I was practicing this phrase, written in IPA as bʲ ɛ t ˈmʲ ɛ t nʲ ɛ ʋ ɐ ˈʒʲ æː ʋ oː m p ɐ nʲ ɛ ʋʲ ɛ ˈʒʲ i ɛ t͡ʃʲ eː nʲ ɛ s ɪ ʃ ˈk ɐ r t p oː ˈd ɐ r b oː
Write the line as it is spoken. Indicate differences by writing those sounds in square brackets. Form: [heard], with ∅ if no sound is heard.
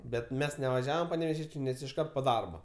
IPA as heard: bʲ ɛ t ˈmʲ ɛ [s] nʲ ɛ ʋ ɐ ˈʒʲ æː ʋ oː m p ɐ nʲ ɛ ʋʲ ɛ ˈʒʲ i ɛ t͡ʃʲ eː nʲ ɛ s ɪ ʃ ˈk ɐ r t p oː ˈd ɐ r b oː

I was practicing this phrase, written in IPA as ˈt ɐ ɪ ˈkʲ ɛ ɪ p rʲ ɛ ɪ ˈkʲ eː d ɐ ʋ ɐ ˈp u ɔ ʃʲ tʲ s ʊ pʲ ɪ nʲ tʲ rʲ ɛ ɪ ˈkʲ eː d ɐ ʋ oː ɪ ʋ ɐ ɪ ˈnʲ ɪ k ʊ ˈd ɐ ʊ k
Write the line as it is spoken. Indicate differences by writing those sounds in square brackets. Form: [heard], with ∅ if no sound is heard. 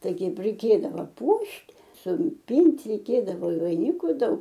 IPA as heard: ˈt ɐ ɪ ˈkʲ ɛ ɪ p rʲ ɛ ɪ ˈkʲ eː d ɐ ʋ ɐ ˈp u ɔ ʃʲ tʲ s ʊ pʲ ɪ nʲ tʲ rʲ ɛ ɪ ˈkʲ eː d ɐ ʋ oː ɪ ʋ ɐ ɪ ˈnʲ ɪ k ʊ ˈd ɐ ʊ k

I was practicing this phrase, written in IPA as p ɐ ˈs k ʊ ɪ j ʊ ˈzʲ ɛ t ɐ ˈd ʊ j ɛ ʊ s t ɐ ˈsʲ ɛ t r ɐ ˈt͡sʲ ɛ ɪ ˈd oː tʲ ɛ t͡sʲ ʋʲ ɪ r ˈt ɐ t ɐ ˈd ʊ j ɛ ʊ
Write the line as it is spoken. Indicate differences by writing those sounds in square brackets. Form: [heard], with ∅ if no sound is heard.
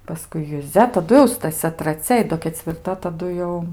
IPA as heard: p ɐ ˈs k ʊ ɪ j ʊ ˈzʲ ɛ t ɐ ˈd ʊ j ɛ ʊ s t ɐ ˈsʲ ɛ t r ɐ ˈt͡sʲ ɛ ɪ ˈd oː [kʲ] ɛ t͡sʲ ʋʲ ɪ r ˈt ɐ t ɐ ˈd ʊ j ɛ ʊ

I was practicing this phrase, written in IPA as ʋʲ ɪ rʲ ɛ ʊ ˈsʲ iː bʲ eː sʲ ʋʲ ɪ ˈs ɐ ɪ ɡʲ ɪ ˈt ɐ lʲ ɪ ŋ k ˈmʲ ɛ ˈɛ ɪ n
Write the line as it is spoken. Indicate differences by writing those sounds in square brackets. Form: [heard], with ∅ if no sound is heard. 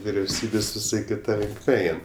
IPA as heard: ʋʲ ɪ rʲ ɛ ʊ ˈsʲ iː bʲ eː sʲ ʋʲ ɪ ˈs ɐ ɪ [kʲ] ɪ ˈt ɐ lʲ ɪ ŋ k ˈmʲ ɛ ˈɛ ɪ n

